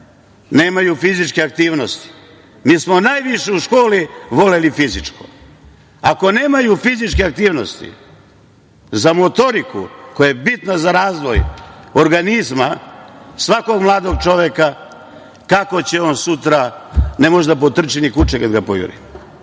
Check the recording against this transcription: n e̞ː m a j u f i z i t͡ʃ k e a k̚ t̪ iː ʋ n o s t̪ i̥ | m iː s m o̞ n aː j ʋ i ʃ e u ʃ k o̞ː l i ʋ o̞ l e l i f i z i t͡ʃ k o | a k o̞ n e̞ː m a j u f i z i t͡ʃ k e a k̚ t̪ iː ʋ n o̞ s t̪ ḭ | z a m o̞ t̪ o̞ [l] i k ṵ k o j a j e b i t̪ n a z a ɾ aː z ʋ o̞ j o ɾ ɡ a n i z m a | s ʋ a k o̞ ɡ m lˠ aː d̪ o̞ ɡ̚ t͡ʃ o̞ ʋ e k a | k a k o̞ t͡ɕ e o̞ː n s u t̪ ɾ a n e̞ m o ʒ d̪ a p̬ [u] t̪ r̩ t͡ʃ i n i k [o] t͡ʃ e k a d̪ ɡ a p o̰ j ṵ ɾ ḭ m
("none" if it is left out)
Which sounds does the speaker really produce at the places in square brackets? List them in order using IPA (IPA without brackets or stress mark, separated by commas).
ɾ, o, u